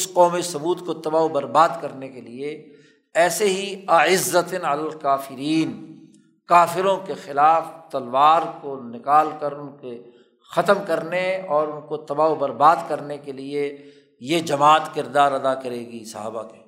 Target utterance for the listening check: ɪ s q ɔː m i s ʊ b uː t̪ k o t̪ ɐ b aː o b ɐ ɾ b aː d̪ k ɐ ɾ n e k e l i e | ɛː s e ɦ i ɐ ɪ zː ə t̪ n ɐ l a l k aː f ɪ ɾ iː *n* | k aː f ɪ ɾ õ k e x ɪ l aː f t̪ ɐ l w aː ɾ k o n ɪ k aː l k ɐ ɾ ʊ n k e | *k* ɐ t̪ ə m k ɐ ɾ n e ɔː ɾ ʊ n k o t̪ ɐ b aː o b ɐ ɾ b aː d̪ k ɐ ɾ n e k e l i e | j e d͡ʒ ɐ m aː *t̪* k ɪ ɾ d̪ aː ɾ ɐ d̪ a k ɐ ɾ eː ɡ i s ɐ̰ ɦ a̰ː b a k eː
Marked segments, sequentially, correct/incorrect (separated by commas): correct, incorrect, correct